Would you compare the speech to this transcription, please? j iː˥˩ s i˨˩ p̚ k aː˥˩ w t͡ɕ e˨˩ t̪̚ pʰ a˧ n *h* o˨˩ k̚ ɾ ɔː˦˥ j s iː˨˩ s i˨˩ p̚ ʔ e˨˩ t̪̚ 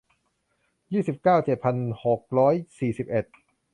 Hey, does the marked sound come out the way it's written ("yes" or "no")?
yes